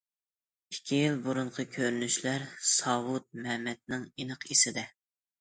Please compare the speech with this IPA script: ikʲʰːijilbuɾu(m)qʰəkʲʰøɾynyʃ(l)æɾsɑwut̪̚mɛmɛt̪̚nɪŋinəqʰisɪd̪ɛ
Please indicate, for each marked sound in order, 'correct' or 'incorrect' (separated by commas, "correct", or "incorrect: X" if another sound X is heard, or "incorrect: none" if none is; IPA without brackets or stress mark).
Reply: incorrect: ɴ, correct